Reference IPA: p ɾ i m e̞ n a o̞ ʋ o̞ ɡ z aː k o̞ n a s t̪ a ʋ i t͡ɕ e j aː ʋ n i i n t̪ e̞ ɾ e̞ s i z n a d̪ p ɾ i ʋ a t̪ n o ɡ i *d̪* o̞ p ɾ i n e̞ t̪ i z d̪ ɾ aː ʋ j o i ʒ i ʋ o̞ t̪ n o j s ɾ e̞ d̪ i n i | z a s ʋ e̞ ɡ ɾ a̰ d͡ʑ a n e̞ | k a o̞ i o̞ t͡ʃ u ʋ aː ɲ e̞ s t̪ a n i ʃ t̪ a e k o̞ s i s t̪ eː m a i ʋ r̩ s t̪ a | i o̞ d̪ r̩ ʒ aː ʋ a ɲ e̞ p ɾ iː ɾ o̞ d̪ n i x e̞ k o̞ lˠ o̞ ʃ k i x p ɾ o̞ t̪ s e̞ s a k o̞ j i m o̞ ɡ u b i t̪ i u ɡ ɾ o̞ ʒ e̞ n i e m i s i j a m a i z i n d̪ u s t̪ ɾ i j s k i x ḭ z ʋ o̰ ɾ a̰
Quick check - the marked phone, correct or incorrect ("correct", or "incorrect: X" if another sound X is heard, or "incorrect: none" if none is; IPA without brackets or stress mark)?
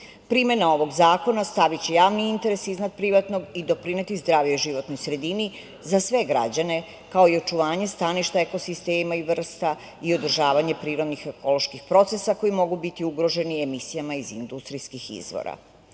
correct